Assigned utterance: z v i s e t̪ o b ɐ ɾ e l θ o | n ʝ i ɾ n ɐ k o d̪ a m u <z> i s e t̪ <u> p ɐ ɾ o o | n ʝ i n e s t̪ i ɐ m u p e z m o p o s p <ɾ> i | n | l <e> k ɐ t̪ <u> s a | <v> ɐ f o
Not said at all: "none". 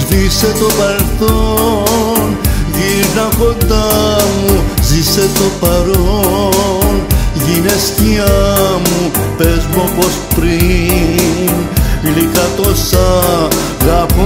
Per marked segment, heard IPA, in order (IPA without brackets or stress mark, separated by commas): z, o, ɾ, i, o, ɣ